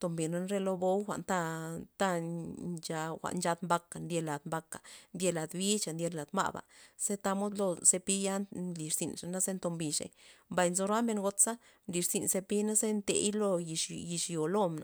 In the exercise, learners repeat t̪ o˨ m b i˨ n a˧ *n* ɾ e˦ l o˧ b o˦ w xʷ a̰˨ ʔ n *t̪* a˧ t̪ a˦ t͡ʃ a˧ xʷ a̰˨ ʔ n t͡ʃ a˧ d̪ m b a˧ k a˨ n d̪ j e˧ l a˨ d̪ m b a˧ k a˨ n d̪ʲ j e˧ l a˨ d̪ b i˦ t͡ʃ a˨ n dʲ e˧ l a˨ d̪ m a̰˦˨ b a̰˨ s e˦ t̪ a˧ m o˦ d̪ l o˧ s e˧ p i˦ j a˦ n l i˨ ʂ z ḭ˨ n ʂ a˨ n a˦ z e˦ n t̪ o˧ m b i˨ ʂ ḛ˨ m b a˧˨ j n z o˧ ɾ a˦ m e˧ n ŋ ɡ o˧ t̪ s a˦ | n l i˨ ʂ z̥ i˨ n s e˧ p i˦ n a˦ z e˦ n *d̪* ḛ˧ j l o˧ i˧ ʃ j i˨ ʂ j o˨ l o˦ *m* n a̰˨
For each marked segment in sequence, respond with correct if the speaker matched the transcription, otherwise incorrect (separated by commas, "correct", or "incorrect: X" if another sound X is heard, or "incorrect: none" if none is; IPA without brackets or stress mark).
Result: correct, correct, incorrect: t̪, correct